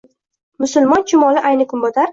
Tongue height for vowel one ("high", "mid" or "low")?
high